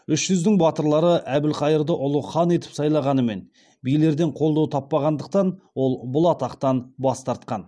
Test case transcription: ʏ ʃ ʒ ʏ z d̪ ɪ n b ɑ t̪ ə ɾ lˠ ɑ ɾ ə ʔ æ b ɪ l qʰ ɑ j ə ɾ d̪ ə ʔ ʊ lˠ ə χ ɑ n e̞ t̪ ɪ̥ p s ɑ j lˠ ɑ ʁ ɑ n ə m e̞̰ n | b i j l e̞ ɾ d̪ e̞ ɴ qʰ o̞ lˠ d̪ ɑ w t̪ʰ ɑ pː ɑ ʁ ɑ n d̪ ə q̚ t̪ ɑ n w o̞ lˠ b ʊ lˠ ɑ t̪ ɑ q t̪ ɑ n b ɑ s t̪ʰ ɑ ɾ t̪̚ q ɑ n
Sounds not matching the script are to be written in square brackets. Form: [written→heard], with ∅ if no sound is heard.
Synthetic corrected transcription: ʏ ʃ ʒ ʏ z d̪ ɪ [n→ŋ] b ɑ t̪ ə ɾ lˠ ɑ ɾ ə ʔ æ b ɪ l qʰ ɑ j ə ɾ d̪ ə ʔ ʊ lˠ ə χ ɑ n e̞ t̪ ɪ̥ p s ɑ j lˠ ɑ ʁ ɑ n ə m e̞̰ n | b i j l e̞ ɾ d̪ e̞ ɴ qʰ o̞ lˠ d̪ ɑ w t̪ʰ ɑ pː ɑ ʁ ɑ n d̪ ə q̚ t̪ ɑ n w o̞ lˠ b ʊ lˠ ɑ t̪ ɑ q t̪ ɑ n b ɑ s [t̪ʰ→t̪] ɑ ɾ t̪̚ q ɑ n